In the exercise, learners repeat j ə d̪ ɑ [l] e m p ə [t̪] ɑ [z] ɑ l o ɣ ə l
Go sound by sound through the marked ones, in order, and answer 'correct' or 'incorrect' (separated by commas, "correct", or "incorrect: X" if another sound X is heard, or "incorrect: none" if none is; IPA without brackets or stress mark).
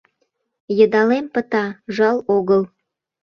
correct, correct, incorrect: ʒ